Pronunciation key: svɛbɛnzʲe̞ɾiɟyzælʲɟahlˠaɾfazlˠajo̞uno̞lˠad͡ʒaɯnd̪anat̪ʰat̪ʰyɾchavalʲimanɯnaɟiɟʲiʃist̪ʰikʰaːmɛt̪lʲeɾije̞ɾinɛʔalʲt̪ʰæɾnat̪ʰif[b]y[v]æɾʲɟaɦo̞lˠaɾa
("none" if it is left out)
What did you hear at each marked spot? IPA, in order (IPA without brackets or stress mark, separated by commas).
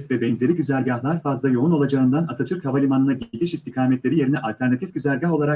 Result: ɟ, z